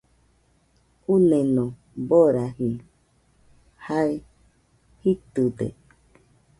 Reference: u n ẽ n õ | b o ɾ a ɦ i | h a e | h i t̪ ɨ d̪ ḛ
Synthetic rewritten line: u n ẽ n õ | b o ɾ a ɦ i | h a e | h i t̪ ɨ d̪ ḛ